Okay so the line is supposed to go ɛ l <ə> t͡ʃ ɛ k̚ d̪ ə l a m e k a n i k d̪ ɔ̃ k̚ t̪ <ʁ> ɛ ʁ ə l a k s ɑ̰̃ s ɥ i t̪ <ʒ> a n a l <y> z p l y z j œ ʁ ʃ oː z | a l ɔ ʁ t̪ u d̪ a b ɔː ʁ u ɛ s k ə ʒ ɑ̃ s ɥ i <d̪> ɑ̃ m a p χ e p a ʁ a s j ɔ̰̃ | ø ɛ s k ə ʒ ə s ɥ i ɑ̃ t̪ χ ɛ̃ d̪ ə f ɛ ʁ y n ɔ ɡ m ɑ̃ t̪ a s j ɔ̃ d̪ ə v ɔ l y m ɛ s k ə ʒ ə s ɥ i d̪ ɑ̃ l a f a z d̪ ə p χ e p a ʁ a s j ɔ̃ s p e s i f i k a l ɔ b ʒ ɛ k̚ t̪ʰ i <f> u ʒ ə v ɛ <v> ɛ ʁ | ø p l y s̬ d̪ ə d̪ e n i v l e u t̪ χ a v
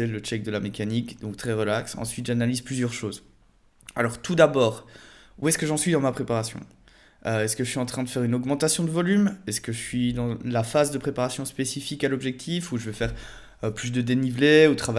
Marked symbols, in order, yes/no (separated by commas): yes, no, yes, no, yes, yes, no